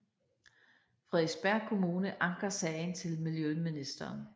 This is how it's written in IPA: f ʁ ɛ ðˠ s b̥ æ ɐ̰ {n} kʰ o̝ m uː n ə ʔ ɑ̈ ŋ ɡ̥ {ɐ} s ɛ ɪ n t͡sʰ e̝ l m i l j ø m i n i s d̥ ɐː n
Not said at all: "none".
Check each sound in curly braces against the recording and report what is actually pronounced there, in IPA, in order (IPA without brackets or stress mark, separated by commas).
none, ɐ